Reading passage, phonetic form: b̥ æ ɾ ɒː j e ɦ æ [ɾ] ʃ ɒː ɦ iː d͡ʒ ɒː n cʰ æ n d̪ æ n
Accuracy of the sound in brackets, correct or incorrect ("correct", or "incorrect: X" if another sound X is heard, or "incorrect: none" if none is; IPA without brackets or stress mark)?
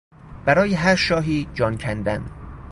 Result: correct